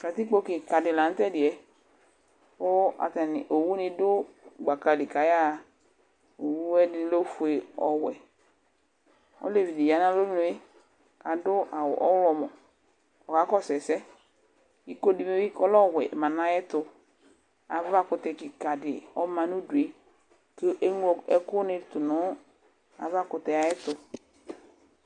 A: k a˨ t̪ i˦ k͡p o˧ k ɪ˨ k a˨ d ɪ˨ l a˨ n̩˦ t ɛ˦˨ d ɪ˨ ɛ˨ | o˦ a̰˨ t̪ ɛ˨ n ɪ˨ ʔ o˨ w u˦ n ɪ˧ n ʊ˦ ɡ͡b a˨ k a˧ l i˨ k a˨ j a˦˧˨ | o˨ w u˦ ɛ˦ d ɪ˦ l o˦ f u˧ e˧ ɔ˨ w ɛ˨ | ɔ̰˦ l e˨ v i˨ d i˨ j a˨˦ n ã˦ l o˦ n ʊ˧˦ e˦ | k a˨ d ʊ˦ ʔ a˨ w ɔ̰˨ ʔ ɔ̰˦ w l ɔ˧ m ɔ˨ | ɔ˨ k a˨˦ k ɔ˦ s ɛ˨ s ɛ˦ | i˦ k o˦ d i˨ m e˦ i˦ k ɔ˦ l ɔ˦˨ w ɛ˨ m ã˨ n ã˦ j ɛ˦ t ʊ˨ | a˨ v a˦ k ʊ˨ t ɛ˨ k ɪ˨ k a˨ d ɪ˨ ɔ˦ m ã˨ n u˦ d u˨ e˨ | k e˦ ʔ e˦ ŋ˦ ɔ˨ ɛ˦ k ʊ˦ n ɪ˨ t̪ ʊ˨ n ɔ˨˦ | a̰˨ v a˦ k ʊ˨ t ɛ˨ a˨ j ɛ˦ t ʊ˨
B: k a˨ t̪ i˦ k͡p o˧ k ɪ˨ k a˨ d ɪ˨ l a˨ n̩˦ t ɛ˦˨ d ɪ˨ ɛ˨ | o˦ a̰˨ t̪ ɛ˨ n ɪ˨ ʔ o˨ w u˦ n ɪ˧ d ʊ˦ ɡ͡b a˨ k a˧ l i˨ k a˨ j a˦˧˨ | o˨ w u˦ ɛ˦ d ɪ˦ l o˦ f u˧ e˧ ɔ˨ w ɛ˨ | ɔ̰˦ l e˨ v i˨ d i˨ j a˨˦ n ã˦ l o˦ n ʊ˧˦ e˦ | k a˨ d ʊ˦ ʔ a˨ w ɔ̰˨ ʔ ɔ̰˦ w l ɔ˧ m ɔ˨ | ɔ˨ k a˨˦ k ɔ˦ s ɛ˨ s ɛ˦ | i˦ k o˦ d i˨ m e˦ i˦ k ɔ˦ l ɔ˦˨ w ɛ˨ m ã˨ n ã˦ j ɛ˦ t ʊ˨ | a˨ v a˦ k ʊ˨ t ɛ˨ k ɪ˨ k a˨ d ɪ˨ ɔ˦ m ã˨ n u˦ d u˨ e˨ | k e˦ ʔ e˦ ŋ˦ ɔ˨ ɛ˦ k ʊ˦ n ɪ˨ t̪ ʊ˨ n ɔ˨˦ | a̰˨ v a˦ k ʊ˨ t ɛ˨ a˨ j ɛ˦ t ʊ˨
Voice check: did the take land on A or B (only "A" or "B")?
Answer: B